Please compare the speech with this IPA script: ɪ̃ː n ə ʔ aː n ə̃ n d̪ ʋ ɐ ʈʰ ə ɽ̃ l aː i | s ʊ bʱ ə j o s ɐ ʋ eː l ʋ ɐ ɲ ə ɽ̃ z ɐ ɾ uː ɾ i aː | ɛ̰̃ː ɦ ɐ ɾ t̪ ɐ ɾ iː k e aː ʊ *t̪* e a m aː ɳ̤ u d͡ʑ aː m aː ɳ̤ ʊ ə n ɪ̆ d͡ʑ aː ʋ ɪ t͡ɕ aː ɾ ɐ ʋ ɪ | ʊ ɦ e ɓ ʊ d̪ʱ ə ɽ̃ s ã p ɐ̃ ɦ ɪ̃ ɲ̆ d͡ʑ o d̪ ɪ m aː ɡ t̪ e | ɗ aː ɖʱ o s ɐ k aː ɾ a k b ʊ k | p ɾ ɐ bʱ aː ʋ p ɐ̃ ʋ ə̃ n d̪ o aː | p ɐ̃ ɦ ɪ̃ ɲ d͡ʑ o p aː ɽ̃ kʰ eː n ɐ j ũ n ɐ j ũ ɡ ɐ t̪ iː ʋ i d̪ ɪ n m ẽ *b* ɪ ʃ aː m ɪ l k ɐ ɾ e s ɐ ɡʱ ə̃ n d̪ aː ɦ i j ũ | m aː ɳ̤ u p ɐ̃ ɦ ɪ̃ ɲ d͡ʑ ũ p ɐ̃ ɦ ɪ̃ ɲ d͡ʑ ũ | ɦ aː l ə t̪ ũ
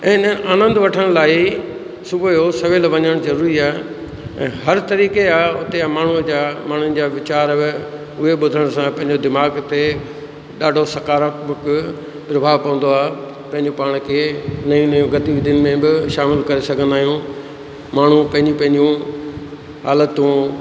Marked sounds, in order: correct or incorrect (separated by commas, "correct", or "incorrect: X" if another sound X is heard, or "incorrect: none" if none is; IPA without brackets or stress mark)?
correct, correct